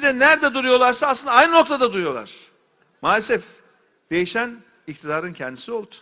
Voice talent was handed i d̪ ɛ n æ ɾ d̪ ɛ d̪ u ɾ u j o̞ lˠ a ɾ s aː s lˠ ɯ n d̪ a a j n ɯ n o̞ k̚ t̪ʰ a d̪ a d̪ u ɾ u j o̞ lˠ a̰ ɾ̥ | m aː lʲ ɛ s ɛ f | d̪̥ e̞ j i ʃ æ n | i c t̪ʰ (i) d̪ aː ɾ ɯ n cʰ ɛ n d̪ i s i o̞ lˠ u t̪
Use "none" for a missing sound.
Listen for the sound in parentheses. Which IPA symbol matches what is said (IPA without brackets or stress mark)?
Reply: i